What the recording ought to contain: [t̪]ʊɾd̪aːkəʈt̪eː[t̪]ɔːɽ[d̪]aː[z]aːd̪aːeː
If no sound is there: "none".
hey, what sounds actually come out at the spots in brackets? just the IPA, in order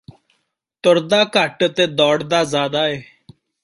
t̪, d̪, d̪, z

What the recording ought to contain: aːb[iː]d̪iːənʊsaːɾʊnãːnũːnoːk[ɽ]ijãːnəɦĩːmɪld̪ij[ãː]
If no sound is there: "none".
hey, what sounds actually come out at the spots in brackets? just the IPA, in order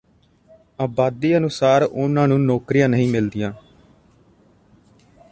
aː, ɾ, ãː

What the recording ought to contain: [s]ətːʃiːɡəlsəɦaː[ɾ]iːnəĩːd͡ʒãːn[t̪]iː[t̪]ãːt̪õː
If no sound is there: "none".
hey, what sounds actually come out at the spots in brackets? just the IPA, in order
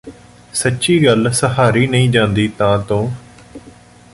s, ɾ, d̪, t̪

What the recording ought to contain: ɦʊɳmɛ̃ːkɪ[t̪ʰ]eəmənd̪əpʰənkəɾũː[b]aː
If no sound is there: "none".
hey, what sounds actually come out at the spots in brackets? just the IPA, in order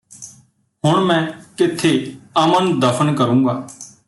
t̪ʰ, ɡ

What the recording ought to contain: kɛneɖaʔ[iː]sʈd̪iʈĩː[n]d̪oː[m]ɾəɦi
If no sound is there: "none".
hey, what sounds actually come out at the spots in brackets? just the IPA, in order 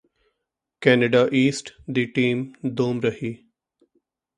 iː, m, m

